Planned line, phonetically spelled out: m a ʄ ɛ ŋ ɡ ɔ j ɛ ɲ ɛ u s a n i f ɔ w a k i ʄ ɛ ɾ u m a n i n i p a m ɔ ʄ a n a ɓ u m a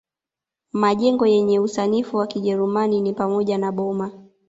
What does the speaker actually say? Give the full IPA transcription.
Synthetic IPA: m a ʄ ɛ ŋ ɡ ɔ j ɛ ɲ ɛ u s a n i f u w a k i ʄ ɛ ɾ u m a n i n i p a m ɔ ʄ a n a ɓ ɔ m a